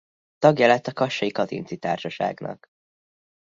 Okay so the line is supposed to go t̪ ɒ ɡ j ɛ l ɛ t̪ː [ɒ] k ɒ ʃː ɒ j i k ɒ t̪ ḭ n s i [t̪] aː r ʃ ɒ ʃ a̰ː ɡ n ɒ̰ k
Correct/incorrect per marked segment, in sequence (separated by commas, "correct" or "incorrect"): correct, correct